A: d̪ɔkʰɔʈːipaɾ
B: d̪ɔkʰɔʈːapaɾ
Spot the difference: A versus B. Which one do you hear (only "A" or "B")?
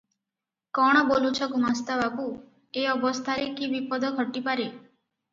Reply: A